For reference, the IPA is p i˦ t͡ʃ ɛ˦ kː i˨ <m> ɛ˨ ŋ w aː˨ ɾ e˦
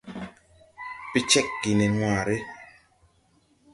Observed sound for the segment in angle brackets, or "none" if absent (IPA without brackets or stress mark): n